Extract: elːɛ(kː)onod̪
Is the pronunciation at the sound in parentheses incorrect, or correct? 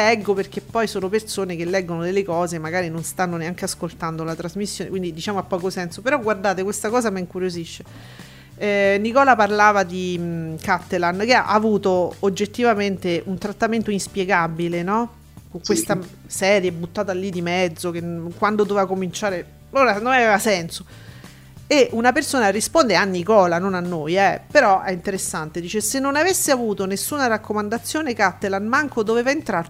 incorrect